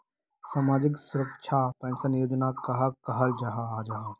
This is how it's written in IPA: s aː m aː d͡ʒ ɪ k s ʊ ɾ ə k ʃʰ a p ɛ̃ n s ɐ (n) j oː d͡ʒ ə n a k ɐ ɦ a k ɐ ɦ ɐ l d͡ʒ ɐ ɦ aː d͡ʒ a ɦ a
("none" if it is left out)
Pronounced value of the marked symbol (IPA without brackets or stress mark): n